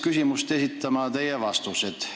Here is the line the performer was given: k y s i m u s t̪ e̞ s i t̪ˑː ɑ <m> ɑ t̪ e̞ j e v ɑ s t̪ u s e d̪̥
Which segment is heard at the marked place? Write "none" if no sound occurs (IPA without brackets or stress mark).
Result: m